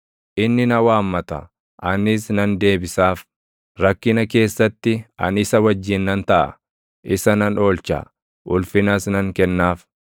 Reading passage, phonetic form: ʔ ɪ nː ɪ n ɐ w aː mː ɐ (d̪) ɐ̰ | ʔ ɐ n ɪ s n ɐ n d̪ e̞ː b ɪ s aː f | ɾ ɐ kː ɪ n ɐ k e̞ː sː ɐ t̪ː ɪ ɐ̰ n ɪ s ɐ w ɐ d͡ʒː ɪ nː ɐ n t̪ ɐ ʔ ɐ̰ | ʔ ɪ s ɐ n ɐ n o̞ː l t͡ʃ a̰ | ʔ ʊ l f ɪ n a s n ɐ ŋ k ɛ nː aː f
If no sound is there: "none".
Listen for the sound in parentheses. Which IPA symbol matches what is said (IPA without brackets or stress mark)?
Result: t̪